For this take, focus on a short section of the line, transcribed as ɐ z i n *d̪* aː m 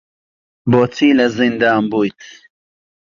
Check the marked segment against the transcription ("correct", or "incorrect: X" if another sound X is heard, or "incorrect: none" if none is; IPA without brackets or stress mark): correct